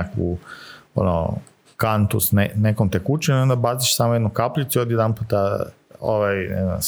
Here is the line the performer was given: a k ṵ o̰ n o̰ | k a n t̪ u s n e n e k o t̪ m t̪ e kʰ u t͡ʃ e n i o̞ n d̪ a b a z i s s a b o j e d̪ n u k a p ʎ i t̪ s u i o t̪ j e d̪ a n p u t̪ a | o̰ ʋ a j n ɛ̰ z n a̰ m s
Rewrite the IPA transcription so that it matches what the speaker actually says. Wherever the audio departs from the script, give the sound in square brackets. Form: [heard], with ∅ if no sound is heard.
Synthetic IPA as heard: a k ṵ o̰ n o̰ | k a n t̪ u s n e n e k o [∅] m t̪ e [k] u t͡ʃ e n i o̞ n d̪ a b a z i [ʃ] s a [m] o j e d̪ n u k a p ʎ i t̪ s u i o [d̪] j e d̪ a n p u t̪ a | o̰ ʋ a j n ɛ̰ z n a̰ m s